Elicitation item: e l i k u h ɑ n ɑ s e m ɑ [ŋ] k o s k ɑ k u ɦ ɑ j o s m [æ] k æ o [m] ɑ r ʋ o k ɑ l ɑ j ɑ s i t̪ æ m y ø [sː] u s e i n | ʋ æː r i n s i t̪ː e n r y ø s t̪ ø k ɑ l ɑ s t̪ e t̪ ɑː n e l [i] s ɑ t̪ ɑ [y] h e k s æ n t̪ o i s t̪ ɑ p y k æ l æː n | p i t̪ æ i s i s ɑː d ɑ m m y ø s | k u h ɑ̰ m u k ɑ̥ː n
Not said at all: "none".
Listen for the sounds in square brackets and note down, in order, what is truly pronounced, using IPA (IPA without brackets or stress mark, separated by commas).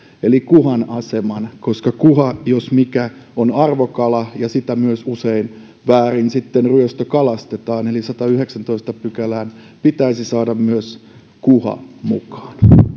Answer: n, i, n, s, i, y